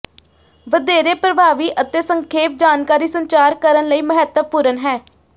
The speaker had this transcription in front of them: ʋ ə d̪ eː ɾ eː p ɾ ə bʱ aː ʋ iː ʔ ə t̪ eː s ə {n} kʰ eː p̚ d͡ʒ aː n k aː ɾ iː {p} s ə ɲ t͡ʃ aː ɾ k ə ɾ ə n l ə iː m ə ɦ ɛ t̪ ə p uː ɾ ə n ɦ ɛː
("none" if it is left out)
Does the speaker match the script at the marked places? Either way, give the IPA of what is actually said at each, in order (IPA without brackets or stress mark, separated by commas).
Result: ŋ, none